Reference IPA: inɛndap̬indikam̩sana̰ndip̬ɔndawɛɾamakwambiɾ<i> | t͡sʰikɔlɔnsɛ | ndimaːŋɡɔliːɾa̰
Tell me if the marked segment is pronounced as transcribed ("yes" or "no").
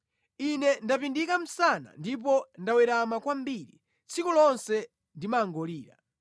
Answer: yes